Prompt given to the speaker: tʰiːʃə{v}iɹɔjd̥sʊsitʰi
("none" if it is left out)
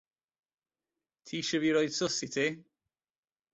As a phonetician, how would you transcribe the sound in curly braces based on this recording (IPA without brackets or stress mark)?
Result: v